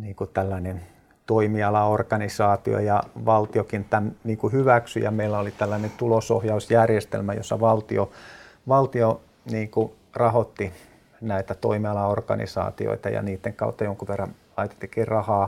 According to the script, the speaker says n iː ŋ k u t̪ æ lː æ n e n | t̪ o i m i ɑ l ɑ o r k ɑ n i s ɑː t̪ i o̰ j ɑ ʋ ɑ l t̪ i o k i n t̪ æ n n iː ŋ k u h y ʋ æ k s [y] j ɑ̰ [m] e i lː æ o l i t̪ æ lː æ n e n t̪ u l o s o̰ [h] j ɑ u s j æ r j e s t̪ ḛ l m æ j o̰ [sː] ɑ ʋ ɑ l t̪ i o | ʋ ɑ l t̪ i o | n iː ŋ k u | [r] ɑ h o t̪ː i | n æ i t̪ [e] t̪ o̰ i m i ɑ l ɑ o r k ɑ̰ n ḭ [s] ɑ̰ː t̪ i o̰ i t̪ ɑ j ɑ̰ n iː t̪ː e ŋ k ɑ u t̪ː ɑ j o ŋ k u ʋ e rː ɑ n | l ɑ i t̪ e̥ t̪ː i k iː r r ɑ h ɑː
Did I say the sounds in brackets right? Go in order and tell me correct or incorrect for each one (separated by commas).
correct, correct, correct, correct, correct, incorrect, correct